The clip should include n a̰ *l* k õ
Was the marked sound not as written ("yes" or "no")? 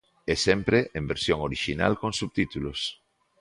no